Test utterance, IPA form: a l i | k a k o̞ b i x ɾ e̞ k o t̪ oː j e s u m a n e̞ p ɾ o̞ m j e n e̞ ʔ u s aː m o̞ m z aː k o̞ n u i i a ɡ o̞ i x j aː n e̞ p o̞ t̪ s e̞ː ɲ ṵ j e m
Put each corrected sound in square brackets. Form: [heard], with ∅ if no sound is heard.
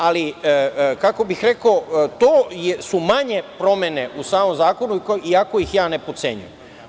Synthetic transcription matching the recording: a l i | k a k o̞ b i x ɾ e̞ k o t̪ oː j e s u m a [ɲ] e̞ p ɾ o̞ m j e n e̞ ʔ u s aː m o̞ m z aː k o̞ n u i i a [k] o̞ i x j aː n e̞ p o̞ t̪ s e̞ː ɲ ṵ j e m